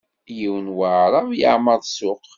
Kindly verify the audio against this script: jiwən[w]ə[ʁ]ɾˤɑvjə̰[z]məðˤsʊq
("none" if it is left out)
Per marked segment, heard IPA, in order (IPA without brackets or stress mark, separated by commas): w, ʕ, ʕ